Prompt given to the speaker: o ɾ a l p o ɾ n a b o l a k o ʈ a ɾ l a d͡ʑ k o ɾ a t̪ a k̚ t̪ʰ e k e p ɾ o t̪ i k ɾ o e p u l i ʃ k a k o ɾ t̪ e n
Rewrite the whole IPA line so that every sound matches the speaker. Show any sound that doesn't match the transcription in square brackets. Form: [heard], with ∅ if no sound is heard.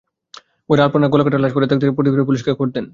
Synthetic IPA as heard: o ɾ a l p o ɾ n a [ɡ] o l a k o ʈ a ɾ l a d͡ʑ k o ɾ [e] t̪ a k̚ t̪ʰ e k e p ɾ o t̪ i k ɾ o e p u l i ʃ k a k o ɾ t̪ e n